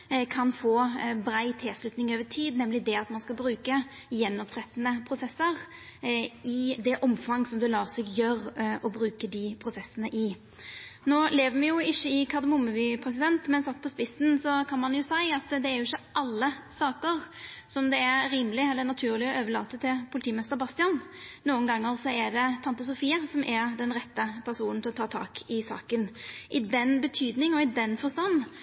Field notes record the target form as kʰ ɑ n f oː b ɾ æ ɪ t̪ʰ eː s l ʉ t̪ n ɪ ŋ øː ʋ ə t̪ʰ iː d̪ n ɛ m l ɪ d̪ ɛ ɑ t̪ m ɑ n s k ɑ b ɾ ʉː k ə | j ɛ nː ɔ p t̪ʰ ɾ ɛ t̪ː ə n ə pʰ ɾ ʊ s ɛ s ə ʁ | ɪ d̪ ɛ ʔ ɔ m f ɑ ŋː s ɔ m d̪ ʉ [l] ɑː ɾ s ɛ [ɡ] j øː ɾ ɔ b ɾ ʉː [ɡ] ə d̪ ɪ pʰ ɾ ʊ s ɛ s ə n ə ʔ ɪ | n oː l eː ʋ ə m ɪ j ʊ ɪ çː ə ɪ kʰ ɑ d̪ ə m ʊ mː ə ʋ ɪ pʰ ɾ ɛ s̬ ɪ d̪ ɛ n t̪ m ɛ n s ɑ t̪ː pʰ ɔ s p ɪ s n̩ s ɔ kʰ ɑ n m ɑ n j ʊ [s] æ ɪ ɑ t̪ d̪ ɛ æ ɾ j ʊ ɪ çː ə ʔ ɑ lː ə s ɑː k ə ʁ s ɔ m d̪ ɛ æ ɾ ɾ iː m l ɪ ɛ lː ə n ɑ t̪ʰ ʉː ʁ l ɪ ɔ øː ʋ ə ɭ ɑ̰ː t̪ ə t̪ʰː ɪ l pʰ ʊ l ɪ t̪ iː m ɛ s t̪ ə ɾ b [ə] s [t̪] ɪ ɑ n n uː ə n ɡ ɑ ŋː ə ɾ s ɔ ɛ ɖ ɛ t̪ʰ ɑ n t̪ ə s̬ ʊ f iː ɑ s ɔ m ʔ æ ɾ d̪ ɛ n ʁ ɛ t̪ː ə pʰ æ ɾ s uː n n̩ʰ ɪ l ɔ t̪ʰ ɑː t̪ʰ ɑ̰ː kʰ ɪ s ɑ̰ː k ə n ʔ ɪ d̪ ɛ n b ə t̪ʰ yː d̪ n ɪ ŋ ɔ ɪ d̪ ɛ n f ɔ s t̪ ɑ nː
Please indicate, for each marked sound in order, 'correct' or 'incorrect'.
correct, correct, incorrect: k, correct, incorrect: ɑ, correct

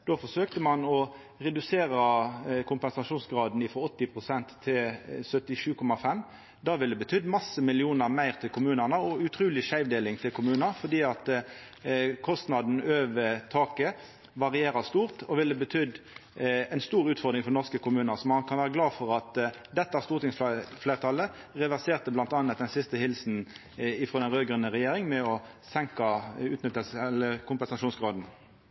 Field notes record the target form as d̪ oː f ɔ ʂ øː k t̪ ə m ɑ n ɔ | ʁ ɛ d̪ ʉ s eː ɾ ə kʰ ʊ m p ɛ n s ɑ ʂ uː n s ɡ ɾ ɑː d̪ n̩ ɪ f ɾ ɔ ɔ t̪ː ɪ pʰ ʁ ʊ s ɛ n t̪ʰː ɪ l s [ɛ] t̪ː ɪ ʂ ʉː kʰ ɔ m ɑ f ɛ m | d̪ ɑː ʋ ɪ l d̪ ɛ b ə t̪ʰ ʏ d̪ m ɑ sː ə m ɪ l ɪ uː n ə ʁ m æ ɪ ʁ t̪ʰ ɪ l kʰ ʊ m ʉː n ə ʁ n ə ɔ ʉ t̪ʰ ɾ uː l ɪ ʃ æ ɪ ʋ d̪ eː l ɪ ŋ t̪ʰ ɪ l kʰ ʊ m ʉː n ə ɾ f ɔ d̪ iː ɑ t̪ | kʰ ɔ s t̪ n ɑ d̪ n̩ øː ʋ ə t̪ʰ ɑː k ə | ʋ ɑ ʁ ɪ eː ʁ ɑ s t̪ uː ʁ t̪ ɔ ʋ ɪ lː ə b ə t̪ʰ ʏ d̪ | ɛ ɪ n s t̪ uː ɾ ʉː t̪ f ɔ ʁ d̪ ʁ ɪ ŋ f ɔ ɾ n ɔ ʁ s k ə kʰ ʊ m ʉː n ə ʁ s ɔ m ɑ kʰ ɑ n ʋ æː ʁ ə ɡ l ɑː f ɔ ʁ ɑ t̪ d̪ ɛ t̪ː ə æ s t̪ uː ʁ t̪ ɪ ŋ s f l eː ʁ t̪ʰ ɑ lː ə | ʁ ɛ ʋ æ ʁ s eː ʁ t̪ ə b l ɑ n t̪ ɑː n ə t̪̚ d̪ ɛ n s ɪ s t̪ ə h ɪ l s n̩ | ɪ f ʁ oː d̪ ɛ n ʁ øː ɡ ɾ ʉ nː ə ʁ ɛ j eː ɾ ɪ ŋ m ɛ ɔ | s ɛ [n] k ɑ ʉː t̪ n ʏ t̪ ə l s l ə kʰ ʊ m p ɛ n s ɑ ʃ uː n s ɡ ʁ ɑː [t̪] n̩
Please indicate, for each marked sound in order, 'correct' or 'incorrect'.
incorrect: œ, incorrect: ŋ, incorrect: d̪

